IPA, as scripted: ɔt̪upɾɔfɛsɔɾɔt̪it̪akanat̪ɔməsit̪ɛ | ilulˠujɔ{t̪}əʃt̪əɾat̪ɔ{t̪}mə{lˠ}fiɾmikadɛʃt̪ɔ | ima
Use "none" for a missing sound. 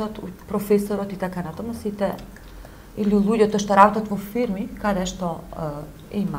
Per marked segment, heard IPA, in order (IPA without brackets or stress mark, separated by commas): t̪, t̪, none